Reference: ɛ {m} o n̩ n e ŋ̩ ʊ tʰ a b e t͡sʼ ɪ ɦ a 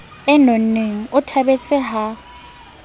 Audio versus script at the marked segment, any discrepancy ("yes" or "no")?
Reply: yes